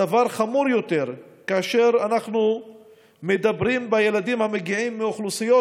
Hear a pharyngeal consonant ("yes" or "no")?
yes